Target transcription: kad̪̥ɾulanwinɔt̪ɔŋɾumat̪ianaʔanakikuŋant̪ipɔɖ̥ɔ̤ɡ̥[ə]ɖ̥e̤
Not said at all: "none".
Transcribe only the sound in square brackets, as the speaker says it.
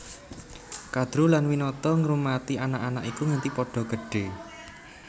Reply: ə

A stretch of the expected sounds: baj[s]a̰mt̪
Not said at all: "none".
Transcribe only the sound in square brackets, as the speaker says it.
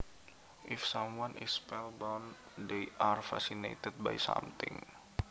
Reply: s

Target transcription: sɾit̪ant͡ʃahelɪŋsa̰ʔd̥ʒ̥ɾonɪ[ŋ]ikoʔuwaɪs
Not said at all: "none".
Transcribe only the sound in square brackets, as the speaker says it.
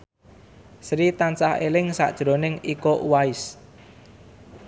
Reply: ŋ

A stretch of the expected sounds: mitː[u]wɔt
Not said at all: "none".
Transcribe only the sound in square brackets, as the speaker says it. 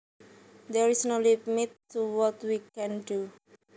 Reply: u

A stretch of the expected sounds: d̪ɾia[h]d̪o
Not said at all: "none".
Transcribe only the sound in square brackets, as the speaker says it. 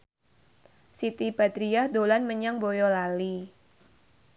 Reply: h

